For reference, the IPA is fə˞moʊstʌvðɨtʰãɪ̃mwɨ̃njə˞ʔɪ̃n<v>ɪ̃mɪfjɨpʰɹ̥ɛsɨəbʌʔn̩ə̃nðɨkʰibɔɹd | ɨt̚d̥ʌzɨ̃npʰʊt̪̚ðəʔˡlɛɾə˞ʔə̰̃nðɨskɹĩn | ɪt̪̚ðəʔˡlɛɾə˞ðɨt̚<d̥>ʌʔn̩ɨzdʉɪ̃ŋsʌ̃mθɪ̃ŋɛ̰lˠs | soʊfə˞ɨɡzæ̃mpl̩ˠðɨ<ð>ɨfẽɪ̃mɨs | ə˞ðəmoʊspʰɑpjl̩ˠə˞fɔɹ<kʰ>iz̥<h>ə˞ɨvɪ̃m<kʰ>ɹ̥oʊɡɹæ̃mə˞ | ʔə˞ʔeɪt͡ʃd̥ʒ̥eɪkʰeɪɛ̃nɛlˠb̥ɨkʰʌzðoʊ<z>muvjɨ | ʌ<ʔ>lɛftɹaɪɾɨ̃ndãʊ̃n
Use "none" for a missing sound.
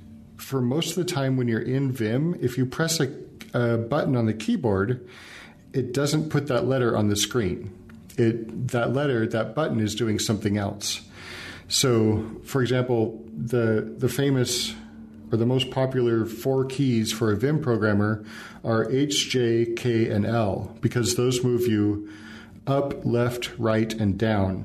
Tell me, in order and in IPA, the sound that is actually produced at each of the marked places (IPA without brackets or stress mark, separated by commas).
v, b̥, ð, kʰ, f, pʰ, z, p